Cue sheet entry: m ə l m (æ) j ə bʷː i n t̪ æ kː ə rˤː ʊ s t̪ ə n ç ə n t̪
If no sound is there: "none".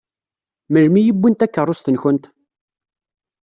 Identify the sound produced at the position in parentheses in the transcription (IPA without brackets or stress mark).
i